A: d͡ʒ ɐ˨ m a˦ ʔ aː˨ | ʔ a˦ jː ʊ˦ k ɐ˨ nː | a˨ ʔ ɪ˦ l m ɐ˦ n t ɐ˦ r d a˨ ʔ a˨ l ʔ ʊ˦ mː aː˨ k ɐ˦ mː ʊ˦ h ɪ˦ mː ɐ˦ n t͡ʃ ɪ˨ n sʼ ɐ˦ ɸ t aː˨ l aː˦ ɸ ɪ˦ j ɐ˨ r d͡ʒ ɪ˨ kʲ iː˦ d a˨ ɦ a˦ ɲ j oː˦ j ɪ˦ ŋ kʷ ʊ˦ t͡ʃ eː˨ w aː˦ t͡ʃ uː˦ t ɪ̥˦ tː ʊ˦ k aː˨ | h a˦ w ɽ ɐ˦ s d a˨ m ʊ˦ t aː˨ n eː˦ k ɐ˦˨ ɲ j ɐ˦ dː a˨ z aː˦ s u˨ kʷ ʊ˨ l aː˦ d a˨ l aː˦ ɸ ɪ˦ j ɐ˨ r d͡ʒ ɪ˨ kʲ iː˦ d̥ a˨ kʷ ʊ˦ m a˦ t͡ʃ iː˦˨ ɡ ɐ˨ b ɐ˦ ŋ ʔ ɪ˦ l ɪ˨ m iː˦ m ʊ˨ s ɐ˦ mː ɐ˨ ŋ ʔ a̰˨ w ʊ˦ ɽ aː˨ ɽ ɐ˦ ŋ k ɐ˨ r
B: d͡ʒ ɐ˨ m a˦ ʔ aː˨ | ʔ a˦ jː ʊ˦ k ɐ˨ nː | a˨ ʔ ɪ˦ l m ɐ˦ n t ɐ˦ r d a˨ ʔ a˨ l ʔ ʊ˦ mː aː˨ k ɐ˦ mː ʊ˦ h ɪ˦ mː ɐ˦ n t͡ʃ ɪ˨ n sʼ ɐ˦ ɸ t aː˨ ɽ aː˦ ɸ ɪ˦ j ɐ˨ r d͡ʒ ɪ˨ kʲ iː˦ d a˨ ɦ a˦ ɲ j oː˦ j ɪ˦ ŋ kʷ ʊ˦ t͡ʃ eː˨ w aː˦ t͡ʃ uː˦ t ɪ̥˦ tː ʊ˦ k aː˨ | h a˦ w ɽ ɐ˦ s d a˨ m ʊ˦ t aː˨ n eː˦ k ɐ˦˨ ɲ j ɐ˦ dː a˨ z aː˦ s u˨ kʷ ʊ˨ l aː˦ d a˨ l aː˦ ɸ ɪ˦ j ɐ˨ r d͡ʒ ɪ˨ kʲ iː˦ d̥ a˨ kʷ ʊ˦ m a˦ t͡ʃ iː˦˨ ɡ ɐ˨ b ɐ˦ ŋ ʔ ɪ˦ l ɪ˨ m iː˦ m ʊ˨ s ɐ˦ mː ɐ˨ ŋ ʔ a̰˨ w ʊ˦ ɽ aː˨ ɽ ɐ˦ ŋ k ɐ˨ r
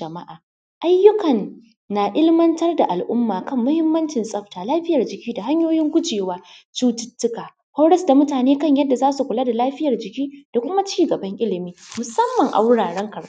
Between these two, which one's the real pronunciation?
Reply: A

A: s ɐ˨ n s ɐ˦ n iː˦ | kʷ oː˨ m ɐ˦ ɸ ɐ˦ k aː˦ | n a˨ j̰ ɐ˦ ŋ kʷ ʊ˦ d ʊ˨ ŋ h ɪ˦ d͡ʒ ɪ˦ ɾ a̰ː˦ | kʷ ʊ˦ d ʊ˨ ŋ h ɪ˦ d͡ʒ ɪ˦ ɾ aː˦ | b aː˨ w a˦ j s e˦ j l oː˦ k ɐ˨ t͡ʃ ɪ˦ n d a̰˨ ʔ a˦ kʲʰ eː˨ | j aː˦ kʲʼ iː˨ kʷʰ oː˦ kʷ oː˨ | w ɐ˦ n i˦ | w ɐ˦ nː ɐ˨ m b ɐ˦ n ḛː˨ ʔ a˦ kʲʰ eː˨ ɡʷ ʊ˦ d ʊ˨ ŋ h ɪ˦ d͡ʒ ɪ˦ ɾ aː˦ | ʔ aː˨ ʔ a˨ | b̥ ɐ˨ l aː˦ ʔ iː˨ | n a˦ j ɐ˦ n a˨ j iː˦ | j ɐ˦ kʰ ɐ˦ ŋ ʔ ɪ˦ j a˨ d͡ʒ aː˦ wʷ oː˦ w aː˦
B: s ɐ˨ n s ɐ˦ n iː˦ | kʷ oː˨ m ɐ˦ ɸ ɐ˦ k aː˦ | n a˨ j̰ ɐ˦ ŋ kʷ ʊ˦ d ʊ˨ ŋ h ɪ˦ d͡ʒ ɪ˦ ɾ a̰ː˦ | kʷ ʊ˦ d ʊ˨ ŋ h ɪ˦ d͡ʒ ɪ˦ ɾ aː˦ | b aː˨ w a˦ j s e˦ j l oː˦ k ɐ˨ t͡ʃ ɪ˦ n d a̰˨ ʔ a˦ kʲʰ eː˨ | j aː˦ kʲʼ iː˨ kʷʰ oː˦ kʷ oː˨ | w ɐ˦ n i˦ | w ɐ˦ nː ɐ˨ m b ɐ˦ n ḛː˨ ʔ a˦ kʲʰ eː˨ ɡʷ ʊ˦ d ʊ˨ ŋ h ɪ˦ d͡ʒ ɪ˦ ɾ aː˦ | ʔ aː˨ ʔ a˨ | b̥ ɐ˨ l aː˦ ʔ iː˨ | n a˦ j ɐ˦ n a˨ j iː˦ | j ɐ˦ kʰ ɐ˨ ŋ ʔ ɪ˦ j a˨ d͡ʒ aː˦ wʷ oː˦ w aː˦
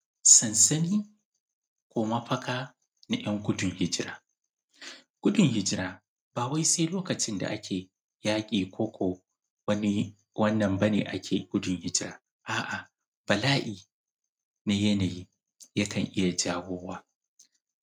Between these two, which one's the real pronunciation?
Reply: B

